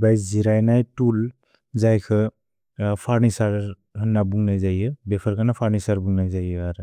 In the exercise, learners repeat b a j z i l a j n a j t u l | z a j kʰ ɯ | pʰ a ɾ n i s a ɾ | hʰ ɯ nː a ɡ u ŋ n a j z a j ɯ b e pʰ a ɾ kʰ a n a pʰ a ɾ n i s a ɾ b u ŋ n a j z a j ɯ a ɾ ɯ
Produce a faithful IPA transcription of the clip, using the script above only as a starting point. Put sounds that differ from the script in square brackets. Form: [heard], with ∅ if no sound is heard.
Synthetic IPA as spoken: b a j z i [ɾ] a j n a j t u l | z a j kʰ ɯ | pʰ a ɾ n i s a ɾ | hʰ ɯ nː a [b] u ŋ n a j z a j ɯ b e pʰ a ɾ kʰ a n a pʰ a ɾ n i s a ɾ b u ŋ n a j z a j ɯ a ɾ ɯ